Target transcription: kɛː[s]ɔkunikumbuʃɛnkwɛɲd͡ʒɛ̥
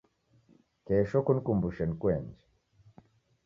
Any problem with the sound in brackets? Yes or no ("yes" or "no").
yes